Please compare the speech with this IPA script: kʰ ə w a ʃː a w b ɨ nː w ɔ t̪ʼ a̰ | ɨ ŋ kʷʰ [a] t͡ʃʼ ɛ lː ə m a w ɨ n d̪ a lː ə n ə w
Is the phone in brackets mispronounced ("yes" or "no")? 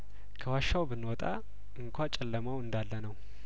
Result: no